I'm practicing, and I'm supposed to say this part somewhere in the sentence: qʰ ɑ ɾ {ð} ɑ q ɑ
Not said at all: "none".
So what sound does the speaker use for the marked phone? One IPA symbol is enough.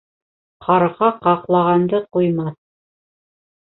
ʁ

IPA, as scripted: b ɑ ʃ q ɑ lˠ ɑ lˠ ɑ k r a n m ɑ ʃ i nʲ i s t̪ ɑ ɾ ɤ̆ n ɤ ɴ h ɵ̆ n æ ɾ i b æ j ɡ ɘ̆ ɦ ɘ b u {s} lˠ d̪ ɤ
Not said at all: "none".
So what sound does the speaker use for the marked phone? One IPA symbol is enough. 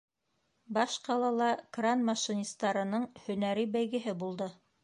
none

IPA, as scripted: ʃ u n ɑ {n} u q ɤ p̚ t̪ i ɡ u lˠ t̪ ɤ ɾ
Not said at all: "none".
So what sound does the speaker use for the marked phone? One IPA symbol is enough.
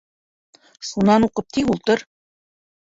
n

